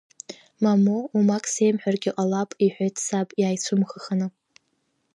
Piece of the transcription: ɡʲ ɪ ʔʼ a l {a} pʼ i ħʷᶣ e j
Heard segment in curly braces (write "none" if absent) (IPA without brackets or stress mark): a